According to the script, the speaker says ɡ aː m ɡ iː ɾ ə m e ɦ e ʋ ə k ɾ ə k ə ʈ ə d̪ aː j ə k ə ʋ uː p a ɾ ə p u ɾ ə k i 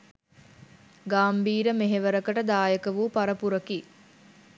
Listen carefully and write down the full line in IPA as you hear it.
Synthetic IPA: ɡ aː m b iː ɾ ə m e ɦ e ʋ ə ɾ ə k ə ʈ ə d̪ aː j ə k ə ʋ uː p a ɾ ə p u ɾ ə k i